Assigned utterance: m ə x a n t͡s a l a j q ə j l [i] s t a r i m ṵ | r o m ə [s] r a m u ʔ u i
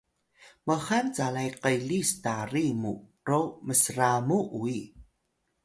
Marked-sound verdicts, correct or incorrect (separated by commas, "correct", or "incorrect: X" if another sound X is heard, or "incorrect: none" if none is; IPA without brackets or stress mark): correct, correct